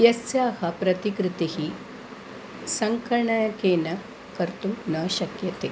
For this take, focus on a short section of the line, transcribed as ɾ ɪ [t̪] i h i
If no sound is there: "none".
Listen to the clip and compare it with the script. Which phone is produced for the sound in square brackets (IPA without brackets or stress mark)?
t̪